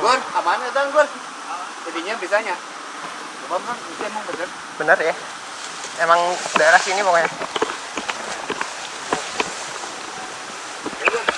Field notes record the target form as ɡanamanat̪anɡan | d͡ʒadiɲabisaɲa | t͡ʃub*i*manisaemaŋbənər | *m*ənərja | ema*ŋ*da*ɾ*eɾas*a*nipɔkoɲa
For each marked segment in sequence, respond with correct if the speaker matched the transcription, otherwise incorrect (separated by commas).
incorrect, incorrect, correct, incorrect, incorrect